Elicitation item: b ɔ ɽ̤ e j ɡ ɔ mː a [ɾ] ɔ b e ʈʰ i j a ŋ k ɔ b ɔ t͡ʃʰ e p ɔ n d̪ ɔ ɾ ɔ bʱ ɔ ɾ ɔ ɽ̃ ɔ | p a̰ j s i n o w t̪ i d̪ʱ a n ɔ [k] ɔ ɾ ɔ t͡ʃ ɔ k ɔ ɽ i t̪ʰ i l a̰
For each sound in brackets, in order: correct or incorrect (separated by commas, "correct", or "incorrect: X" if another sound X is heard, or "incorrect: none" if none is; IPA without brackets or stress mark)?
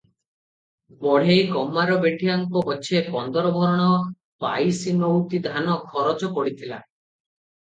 correct, incorrect: kʰ